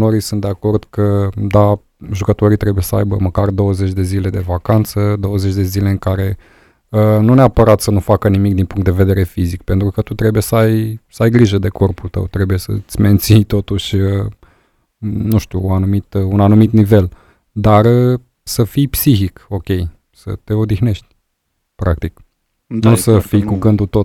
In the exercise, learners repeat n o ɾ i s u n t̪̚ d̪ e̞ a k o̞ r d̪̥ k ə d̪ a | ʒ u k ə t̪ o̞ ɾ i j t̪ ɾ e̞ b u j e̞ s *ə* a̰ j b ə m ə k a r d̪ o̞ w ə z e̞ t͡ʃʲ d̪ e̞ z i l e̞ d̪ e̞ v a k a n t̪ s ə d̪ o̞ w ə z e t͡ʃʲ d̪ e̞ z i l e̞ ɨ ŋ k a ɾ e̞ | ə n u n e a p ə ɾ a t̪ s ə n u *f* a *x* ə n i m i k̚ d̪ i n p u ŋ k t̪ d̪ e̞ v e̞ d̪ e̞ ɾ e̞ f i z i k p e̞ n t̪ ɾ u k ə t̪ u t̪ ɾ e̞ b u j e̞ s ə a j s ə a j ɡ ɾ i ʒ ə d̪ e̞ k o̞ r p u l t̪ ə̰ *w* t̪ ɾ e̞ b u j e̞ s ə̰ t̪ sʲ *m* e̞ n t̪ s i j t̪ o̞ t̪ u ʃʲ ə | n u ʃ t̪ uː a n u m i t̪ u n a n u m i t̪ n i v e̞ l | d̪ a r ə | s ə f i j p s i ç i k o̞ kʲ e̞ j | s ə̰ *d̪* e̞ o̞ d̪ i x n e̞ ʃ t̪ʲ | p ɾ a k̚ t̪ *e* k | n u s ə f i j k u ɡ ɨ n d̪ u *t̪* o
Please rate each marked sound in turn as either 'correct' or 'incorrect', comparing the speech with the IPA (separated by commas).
correct, correct, incorrect, correct, correct, incorrect, incorrect, correct